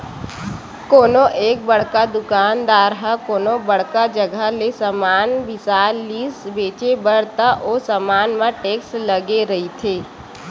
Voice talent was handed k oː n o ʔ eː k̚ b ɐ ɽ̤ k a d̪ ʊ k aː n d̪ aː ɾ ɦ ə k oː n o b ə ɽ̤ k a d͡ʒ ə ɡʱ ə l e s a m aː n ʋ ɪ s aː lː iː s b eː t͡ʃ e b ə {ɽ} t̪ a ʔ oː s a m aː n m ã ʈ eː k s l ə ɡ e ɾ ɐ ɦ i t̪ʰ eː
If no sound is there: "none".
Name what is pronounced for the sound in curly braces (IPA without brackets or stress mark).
ɽ